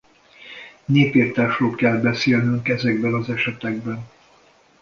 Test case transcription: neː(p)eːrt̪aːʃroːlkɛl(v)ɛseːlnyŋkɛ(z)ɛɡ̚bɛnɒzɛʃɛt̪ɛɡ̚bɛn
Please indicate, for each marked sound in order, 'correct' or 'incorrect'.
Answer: correct, incorrect: b, correct

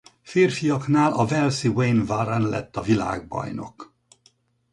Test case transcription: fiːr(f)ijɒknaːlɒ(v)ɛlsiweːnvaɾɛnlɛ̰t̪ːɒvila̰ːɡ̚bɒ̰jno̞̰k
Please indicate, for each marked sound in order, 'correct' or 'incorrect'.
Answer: correct, correct

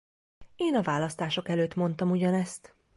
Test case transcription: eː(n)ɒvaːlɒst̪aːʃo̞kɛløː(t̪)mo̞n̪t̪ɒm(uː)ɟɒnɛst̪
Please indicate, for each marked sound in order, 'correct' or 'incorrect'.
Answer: correct, correct, incorrect: u

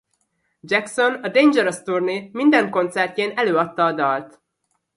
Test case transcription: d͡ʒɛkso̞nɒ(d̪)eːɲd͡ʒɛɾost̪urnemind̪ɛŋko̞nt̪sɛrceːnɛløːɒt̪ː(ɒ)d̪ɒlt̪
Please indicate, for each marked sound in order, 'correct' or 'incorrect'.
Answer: correct, incorrect: ɒː

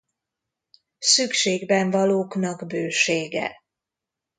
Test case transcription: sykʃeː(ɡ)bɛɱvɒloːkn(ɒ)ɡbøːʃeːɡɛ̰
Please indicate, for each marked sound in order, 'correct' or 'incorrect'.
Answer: correct, correct

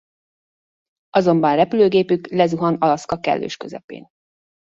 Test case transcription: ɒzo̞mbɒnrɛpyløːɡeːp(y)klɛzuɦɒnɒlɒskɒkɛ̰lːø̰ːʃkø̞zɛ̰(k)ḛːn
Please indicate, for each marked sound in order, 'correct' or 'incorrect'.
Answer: correct, incorrect: p

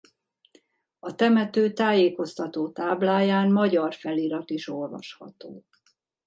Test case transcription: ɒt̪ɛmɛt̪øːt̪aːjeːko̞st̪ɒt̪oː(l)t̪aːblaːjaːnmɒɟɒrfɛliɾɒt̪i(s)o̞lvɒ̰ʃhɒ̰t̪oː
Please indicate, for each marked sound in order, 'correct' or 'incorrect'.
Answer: incorrect: none, incorrect: ʃ

